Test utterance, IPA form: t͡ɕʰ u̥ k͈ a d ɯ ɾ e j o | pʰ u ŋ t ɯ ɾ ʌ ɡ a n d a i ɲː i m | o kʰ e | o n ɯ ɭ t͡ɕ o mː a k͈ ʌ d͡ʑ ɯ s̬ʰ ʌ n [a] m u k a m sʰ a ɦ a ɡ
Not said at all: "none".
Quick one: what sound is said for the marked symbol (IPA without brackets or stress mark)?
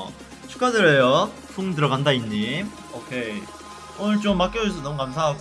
ʌ